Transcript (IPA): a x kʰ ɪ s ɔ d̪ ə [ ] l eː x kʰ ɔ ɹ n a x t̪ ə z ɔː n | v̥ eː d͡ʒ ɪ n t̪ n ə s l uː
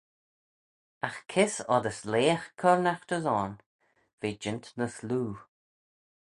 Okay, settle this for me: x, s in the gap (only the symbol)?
s